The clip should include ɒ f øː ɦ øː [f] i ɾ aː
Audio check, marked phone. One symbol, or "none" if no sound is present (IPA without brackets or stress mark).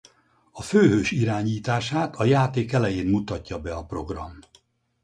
ʃ